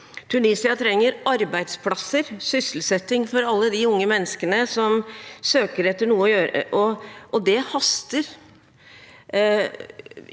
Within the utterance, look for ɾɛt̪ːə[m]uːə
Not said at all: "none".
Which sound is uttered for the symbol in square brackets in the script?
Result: ɳ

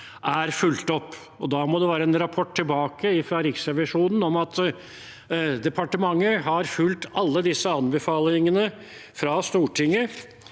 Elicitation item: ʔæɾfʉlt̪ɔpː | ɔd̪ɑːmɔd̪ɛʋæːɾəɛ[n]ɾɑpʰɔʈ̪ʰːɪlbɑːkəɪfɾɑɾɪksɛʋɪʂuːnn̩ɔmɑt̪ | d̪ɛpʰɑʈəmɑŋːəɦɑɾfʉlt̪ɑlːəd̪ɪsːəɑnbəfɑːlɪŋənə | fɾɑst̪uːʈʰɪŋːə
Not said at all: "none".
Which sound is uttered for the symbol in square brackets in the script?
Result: n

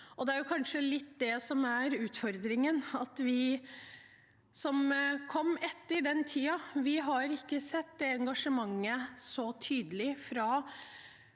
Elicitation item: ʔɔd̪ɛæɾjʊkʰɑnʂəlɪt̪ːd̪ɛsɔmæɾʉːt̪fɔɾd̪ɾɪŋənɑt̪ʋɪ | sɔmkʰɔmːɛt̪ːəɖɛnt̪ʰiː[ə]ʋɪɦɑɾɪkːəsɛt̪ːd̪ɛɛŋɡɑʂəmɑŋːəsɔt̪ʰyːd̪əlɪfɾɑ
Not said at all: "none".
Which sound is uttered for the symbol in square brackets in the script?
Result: ɑ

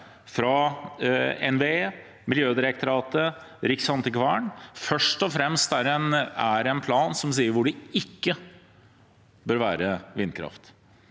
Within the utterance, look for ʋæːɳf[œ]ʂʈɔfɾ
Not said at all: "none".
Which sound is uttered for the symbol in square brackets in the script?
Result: œ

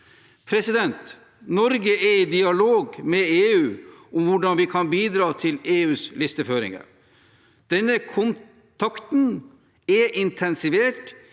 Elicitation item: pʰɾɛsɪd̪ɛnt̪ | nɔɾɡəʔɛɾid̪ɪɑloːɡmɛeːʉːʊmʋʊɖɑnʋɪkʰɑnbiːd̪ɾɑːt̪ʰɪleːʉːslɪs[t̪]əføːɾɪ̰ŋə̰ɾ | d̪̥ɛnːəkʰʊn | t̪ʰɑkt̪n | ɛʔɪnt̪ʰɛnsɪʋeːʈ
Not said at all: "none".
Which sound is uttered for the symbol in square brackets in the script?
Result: t̪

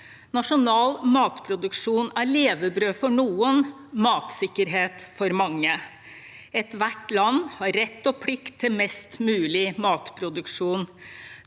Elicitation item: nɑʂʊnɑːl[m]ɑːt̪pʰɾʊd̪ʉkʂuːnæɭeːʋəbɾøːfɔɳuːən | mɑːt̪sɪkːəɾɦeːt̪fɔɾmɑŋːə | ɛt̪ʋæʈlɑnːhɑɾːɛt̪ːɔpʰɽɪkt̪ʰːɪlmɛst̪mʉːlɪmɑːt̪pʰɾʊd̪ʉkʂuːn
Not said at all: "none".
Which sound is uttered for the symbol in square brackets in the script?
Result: m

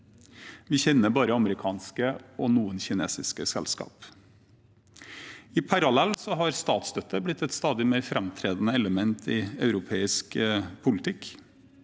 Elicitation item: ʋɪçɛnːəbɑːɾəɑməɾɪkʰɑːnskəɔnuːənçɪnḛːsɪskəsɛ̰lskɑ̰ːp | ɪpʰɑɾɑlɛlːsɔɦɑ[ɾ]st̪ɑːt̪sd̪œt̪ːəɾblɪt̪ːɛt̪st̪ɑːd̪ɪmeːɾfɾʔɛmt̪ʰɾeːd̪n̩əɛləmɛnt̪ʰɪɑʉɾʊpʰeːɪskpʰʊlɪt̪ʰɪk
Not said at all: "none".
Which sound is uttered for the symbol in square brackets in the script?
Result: ɾ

